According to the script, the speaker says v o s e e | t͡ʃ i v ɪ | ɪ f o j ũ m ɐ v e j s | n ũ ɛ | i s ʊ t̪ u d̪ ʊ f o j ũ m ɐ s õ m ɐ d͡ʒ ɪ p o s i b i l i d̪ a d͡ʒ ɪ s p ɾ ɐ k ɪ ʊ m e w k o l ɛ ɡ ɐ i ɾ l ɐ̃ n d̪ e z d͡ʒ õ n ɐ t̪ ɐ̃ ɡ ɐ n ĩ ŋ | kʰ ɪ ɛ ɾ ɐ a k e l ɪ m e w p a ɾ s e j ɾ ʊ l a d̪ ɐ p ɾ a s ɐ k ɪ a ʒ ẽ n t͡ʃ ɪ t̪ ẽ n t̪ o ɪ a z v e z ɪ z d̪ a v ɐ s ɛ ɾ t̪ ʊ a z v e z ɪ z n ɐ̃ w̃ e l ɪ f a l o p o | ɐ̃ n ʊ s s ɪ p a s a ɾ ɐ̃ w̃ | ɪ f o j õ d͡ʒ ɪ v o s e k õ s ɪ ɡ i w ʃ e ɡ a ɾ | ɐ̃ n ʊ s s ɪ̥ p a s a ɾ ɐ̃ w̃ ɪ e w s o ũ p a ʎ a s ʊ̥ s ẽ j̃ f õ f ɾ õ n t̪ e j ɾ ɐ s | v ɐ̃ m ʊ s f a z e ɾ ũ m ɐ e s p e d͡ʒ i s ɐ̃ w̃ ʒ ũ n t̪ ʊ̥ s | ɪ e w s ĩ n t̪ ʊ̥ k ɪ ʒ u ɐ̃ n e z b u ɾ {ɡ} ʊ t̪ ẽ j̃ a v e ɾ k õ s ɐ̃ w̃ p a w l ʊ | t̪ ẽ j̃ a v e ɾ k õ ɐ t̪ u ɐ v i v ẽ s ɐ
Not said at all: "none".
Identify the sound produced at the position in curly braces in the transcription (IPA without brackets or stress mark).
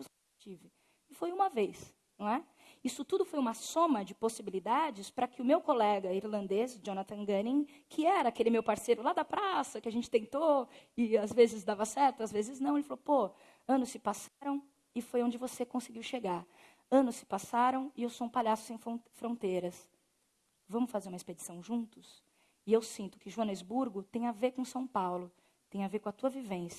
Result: ɡ